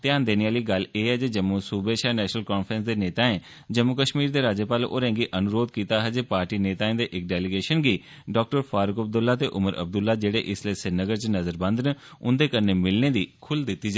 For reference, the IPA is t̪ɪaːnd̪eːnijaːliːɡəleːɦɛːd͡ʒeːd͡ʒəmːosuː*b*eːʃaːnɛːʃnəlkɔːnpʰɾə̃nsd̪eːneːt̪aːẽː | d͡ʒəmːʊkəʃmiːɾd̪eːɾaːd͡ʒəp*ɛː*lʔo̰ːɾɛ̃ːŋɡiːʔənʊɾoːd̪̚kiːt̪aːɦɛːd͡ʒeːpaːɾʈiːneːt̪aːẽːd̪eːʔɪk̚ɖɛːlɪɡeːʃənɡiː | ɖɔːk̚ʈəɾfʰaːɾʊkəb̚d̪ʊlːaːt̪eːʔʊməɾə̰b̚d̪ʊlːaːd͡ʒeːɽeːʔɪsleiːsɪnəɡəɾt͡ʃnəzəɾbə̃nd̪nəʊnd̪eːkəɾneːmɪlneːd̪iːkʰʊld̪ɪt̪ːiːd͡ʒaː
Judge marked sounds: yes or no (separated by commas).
yes, no